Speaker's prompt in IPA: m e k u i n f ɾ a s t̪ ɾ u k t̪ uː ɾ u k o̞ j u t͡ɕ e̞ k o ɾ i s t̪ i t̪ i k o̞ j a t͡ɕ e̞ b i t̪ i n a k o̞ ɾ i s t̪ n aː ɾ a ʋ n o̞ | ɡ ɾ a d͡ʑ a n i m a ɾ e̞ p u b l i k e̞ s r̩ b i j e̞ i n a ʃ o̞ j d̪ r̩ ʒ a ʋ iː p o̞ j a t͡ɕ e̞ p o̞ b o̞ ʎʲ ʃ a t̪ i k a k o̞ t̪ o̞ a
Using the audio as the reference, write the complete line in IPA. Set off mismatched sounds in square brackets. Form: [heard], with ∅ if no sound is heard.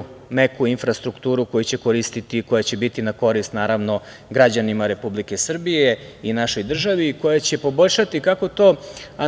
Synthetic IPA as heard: m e k u i n f ɾ a s t̪ ɾ u k t̪ uː ɾ u k o̞ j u t͡ɕ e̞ k o ɾ i s t̪ i t̪ i k o̞ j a t͡ɕ e̞ b i t̪ i n a k o̞ ɾ i s t̪ n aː ɾ a ʋ n o̞ | ɡ ɾ a d͡ʑ a n i m a ɾ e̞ p u b l i k e̞ s r̩ b i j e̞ i n a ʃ o̞ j d̪ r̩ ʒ a ʋ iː [k] o̞ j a t͡ɕ e̞ p o̞ b o̞ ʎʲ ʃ a t̪ i k a k o̞ t̪ o̞ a

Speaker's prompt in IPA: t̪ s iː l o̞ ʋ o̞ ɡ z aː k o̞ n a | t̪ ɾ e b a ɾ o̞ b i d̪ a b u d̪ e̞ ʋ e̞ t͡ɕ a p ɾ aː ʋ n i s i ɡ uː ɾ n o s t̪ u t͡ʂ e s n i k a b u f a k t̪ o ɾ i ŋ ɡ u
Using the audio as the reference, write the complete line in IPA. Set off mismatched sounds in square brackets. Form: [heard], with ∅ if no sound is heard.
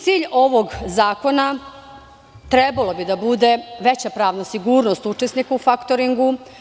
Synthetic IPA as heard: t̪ s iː [ʎ] o̞ ʋ o̞ ɡ z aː k o̞ n a | t̪ ɾ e b a [l] o̞ b i d̪ a b u d̪ e̞ ʋ e̞ t͡ɕ a p ɾ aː ʋ n [a] s i ɡ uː ɾ n o s t̪ u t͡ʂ e s n i k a [∅] u f a k t̪ o ɾ i ŋ ɡ u

